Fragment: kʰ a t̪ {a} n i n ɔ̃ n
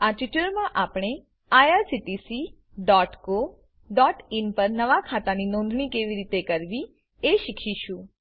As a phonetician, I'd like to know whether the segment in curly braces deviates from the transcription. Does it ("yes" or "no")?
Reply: no